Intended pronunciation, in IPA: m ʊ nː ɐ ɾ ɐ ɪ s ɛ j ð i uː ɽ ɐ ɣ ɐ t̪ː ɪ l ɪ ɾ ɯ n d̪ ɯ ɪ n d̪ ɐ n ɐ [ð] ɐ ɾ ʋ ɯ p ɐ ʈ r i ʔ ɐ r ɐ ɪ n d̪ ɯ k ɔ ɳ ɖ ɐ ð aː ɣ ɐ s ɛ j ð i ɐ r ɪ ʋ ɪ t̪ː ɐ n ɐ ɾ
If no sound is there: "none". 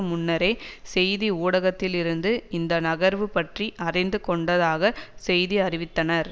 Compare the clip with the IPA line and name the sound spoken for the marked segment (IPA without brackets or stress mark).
ɣ